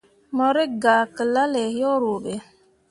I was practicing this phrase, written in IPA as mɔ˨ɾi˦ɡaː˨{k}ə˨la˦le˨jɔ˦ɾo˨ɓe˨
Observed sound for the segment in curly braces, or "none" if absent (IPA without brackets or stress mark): k